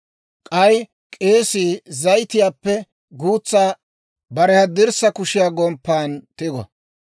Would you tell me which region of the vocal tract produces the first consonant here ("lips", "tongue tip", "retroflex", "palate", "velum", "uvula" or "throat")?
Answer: velum